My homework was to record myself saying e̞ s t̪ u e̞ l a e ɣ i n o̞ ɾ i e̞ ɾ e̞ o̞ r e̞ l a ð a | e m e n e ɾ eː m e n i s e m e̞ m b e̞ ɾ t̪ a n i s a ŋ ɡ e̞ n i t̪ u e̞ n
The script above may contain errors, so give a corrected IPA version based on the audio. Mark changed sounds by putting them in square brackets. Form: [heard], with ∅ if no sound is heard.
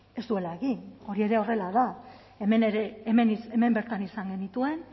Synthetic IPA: e̞ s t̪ u e̞ l a e ɣ i n o̞ ɾ i e̞ ɾ e̞ o̞ r e̞ l a ð a | e m e n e ɾ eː m e n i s e m e̞ m b e̞ ɾ t̪ a n i s a ŋ ɡ e̞ n i t̪ u e̞ n

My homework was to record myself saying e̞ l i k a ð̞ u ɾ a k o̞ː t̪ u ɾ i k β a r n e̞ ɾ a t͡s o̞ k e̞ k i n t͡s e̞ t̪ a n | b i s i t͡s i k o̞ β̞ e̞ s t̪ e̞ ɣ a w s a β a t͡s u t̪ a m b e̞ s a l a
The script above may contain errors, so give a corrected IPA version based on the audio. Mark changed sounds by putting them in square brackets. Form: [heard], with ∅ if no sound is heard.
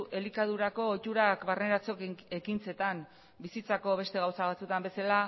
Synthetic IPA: e̞ l i k a ð̞ u ɾ a k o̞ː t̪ u ɾ [a] k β a r n e̞ ɾ a t͡s o̞ k e̞ k i n t͡s e̞ t̪ a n | b i s i t͡s [a] k o̞ β̞ e̞ s t̪ e̞ ɣ a w s a β a t͡s u t̪ a m b e̞ s a l a

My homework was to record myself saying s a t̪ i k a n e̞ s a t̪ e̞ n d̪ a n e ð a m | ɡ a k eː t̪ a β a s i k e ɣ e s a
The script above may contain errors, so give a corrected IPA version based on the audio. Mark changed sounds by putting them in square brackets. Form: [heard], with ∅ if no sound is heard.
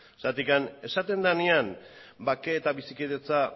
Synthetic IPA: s a t̪ i k a n e̞ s a t̪ e̞ n d̪ a n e [∅] a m | [b] a k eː t̪ a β [i] s i k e [ð] e [t͡s] a

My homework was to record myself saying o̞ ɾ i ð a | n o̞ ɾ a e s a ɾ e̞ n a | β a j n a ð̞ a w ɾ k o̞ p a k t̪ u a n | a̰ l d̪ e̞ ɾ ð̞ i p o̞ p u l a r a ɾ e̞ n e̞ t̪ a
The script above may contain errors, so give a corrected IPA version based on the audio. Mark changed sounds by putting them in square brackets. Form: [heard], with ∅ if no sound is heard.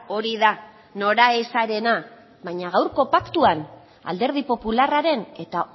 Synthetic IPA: o̞ ɾ i ð a | n o̞ ɾ a e s a ɾ e̞ n a | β a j [ɲ] a [ɣ̞] a w ɾ k o̞ p a k t̪ u a n | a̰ l d̪ e̞ ɾ ð̞ i p o̞ p u l a r a ɾ e̞ n e̞ t̪ a

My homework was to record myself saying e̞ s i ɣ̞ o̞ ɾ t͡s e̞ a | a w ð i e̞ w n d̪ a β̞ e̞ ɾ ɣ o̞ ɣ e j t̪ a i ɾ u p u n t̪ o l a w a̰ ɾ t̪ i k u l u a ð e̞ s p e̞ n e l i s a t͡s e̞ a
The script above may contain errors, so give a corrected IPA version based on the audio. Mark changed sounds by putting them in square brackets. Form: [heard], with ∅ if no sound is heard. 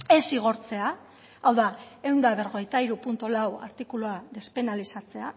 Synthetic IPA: e̞ s i ɣ̞ o̞ ɾ t͡s e̞ a | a w ð [a] e̞ w n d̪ a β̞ e̞ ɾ ɣ o̞ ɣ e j t̪ a i ɾ u p u n t̪ o l a w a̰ ɾ t̪ i k u l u a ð e̞ s p e̞ n [a] l i s a t͡s e̞ a

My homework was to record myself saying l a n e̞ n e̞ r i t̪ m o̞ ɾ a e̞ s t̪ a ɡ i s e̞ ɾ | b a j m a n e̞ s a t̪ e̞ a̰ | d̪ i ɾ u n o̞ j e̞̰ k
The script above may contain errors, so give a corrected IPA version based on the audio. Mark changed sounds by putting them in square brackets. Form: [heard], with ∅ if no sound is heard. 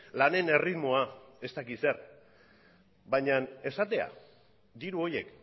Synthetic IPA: l a n e̞ n e̞ r i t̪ m o̞ [∅] a e̞ s t̪ a [k] i s e̞ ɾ | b a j [ɲ] a n e̞ s a t̪ e̞ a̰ | d̪ i ɾ u [∅] o̞ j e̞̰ k

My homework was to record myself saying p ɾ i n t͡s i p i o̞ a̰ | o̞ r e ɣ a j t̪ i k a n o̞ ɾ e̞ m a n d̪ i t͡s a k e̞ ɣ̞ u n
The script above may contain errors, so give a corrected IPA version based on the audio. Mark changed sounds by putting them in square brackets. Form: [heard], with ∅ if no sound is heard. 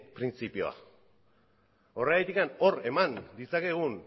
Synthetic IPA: p ɾ i n t͡s i p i o̞ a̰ | o̞ r e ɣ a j t̪ i k a n o̞ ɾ e̞ m a n d̪ i t͡s a k e̞ ɣ̞ u n

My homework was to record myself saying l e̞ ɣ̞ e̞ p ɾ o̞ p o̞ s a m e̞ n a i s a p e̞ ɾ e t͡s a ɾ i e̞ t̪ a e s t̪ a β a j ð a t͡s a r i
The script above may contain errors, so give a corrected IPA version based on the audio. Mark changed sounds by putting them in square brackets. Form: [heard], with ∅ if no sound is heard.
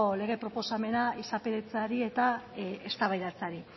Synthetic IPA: l e̞ ɣ̞ e̞ p ɾ o̞ p o̞ s a m e̞ n a i s a p e̞ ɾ e t͡s a ɾ i e̞ t̪ a e s t̪ a β a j ð a t͡s a [ɾ] i

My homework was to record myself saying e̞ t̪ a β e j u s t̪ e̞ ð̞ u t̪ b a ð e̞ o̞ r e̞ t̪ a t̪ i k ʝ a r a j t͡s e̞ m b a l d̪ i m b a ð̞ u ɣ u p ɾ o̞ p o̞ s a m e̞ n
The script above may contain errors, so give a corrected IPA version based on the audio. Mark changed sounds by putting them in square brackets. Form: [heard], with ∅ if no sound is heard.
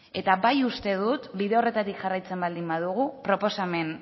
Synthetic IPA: e̞ t̪ a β [a] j u s t̪ e̞ ð̞ u t̪ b [i] ð e̞ o̞ r e̞ t̪ a t̪ i k ʝ a r a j t͡s e̞ m b a l d̪ i m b a ð̞ u ɣ u p ɾ o̞ p o̞ s a m e̞ n

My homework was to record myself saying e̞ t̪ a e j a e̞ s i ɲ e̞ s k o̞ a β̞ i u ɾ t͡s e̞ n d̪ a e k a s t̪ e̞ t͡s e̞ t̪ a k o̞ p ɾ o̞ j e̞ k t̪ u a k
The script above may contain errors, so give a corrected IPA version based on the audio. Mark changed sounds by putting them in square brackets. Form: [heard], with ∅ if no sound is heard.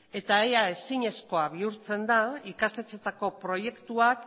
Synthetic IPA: e̞ t̪ a e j a e̞ s i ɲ e̞ s k o̞ a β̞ i u ɾ t͡s e̞ n d̪ a [i] k a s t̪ e̞ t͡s e̞ t̪ a k o̞ p ɾ o̞ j e̞ k t̪ u a k

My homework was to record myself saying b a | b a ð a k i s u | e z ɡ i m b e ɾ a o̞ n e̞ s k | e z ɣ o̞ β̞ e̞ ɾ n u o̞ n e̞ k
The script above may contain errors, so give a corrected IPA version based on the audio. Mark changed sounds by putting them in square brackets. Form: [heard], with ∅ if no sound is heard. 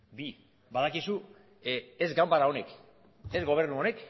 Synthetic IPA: b [i] | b a ð a k i s u | e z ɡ [a] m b [a] ɾ a o̞ n e̞ [∅] k | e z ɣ o̞ β̞ e̞ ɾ n u o̞ n e̞ k

